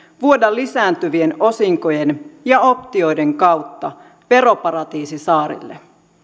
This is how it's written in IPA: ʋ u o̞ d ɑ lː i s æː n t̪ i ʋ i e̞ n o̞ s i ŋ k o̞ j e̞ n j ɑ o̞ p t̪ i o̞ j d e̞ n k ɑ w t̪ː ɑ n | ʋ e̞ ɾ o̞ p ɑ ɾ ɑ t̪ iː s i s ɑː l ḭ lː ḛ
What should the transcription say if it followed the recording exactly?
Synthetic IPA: ʋ u o̞ d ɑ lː i s æː n t̪ y ʋ i e̞ n o̞ s i ŋ k o̞ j e̞ n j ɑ o̞ p t̪ i o̞ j d e̞ ŋ k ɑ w t̪ː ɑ | ʋ e̞ ɾ o̞ p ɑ ɾ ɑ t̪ iː s i s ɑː ɾ ḭ lː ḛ